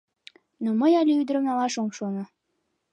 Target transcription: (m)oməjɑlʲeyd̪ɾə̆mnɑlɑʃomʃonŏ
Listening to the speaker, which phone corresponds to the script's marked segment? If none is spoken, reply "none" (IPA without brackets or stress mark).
n